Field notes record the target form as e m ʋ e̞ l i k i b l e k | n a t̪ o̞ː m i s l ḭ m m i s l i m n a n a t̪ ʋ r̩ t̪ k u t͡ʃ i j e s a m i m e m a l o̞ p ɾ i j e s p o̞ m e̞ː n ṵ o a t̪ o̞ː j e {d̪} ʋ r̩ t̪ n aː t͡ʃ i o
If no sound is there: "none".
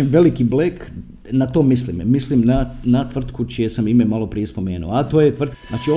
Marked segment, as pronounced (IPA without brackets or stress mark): t̪